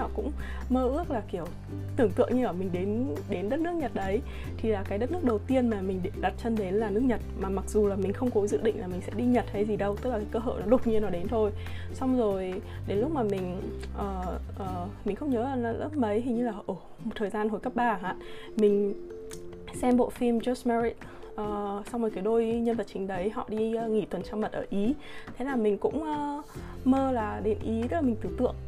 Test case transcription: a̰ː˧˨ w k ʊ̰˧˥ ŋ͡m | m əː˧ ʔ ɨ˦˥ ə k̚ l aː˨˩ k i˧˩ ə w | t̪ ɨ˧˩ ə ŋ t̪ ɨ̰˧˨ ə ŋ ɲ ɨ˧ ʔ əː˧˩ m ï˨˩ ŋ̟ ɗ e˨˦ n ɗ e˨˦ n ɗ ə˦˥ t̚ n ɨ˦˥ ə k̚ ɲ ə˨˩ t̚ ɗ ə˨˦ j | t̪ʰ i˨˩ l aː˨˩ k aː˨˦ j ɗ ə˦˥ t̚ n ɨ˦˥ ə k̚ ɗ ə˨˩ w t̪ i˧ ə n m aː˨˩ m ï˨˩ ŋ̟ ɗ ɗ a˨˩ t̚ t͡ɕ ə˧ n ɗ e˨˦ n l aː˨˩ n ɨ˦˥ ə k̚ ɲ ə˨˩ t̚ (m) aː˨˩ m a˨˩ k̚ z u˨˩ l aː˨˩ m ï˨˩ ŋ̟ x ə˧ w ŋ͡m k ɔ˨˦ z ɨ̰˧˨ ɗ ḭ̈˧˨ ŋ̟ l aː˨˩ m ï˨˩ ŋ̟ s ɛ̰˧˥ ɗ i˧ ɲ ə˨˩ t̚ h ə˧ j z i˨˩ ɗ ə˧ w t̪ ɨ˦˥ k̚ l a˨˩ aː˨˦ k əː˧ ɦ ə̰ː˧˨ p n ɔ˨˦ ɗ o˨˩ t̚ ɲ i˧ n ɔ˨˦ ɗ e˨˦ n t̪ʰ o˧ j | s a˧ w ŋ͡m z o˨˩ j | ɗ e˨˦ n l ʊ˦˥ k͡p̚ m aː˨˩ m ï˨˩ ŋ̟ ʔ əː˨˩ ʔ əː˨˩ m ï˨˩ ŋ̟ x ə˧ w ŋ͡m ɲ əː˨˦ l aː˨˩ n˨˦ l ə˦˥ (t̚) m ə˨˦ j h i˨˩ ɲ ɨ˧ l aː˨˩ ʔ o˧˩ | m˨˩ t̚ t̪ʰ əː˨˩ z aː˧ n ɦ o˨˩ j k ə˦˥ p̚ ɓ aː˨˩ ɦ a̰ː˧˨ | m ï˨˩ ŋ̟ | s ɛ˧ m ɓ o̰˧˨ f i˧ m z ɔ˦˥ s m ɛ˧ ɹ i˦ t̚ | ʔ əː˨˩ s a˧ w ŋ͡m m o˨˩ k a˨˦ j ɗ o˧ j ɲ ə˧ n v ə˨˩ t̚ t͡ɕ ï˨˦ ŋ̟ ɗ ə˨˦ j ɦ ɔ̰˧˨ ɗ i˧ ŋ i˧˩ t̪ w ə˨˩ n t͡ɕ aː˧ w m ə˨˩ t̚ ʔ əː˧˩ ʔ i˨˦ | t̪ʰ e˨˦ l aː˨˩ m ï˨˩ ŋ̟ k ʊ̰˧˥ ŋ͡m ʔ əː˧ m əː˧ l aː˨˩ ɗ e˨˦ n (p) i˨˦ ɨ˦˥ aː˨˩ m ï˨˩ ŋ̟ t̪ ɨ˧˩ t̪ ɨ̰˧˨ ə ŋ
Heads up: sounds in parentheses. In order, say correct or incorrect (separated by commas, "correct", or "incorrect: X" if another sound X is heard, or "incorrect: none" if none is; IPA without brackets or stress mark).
correct, incorrect: p̚, incorrect: ʔ